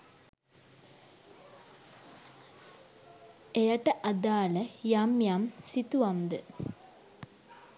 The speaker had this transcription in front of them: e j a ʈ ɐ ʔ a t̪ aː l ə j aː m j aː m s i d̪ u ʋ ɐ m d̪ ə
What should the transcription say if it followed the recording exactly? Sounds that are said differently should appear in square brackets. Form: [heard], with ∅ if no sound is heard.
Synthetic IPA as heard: e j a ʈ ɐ ʔ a [d̪] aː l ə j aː m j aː m s i [t̪] u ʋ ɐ m d̪ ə